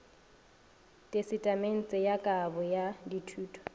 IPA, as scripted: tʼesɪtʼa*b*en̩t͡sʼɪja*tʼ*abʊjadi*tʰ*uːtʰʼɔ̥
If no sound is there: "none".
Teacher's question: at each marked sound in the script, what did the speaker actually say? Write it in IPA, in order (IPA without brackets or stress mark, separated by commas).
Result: m, kʼ, tʰ